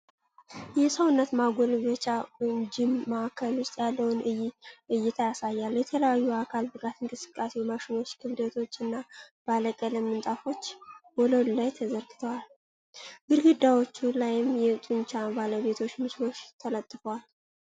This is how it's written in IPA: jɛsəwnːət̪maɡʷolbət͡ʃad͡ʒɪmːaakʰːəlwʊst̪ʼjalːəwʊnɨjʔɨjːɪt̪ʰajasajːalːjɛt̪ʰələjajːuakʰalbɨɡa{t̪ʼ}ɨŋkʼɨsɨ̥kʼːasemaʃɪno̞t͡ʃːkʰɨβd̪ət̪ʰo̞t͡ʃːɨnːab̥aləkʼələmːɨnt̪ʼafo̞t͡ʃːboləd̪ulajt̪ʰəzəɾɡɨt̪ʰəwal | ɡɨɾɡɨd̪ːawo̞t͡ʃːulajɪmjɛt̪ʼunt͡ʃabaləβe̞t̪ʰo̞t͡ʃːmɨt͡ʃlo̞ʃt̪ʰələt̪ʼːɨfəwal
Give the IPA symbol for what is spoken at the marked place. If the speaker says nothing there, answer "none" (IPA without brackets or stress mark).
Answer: t̪